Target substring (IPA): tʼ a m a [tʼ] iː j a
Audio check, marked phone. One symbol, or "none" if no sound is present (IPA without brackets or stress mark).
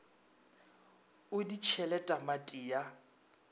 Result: tʼ